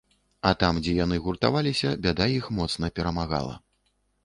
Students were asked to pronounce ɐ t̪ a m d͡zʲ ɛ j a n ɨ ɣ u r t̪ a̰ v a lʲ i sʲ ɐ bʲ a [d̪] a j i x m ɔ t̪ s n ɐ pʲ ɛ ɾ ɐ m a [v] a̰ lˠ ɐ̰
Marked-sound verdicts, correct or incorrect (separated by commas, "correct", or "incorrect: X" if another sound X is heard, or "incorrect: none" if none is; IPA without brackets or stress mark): correct, incorrect: ɣ